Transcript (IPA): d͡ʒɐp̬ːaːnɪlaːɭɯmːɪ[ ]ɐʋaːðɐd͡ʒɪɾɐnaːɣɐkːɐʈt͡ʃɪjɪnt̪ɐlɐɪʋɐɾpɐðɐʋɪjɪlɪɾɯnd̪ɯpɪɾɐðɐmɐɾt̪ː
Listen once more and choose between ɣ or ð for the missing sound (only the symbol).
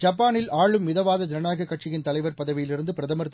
ð